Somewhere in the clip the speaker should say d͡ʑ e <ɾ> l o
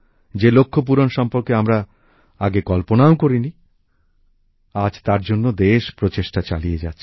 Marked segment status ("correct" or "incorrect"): incorrect